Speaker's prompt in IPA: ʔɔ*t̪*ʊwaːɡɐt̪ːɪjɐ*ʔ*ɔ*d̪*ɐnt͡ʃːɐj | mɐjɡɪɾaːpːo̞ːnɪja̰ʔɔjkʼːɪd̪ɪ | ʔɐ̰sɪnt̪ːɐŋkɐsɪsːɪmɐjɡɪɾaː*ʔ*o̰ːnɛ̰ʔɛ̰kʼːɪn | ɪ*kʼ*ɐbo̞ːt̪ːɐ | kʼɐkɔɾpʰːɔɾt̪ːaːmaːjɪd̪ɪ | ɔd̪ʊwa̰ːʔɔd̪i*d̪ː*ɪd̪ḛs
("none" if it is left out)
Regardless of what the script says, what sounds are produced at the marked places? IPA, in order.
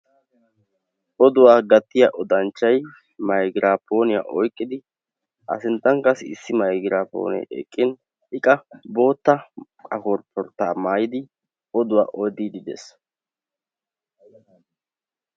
d̪, ʔ, d̪, p, kʼ, d̪

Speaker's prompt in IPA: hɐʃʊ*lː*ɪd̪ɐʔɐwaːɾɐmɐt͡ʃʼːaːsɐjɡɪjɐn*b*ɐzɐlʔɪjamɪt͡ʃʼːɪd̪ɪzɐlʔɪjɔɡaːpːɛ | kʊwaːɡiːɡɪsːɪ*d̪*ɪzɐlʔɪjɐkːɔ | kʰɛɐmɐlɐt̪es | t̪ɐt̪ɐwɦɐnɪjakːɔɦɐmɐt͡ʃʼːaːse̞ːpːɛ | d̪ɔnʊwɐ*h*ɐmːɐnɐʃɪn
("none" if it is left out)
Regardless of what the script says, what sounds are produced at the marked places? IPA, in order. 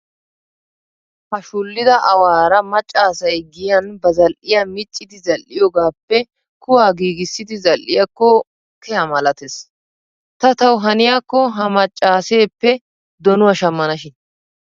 lː, b, d̪, ʃ

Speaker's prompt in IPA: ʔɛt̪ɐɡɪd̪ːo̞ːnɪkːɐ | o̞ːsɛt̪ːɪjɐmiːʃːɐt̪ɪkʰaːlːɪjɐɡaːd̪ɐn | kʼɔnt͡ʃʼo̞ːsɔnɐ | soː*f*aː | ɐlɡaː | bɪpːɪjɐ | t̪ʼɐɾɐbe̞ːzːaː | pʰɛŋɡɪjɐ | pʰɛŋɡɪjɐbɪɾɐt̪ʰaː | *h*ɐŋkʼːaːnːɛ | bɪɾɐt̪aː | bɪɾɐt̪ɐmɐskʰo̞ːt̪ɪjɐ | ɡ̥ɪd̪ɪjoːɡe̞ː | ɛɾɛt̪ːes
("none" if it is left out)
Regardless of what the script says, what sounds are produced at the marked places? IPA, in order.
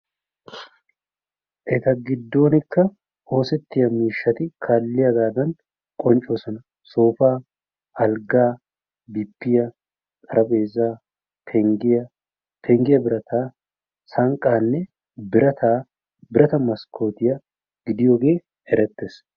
f, s

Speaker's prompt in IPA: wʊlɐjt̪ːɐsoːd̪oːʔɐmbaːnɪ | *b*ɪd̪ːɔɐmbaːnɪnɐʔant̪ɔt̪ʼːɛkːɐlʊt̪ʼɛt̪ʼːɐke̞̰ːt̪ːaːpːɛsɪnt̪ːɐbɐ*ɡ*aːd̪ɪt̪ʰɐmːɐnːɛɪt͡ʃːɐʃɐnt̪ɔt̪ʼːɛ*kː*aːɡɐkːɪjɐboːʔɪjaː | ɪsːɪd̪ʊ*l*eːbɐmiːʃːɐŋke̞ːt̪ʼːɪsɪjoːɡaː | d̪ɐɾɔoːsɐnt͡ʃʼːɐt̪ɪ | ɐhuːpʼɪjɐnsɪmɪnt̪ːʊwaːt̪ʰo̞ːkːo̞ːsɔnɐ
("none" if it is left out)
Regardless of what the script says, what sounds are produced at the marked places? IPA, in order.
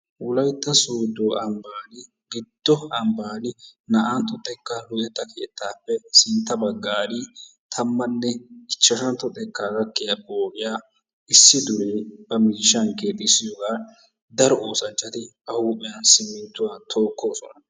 ɡ, ɡː, kː, ɾ

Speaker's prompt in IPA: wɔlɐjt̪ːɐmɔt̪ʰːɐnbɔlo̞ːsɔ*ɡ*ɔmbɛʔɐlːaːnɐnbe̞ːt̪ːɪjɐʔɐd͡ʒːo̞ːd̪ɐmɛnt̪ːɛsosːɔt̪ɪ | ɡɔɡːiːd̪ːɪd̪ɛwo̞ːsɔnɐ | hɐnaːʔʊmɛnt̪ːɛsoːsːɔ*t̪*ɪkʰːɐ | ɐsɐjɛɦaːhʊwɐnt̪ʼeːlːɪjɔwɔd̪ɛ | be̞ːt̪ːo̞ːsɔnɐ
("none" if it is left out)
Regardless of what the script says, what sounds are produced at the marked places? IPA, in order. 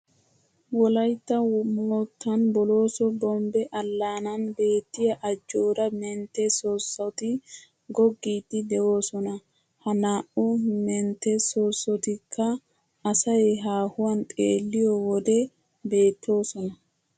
b, t̪

